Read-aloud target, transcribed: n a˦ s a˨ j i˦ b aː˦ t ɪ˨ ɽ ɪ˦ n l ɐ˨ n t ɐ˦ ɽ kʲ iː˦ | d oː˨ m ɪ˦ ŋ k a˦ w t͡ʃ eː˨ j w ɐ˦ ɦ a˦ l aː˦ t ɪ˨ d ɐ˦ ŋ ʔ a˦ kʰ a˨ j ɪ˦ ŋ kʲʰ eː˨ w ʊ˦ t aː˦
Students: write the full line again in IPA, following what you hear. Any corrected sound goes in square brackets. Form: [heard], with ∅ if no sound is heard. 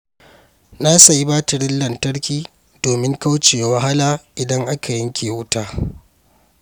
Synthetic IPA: n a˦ s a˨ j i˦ b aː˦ t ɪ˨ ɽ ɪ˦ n l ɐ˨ n t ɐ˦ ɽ kʲ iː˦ | d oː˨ m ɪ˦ ŋ k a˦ w t͡ʃ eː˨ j w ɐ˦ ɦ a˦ l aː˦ [ʔ] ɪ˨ d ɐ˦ ŋ ʔ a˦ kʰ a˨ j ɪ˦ ŋ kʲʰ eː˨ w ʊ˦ t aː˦